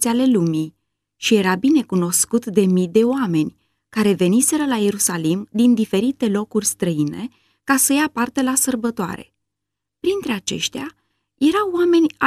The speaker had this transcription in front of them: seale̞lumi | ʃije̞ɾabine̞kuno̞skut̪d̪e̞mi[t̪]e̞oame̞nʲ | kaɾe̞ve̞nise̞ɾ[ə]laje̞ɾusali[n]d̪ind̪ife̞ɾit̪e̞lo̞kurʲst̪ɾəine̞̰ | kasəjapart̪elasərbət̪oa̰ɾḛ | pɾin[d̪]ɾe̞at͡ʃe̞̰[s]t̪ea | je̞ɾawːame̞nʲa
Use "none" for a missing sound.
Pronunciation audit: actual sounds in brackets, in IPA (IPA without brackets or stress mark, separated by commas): d̪, ə, m, t̪, ʃ